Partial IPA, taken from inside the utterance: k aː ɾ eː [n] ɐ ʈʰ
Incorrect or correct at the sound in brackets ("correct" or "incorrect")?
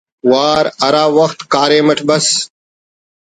incorrect